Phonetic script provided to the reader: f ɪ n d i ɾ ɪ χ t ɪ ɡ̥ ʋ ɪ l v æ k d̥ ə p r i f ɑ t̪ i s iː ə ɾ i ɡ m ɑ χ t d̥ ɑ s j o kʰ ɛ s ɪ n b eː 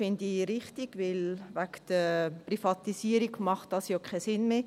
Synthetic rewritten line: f ɪ n d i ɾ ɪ χ t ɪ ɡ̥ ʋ ɪ l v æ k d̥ ə p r i f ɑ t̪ i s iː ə ɾ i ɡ m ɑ χ t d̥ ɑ s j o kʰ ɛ s ɪ n m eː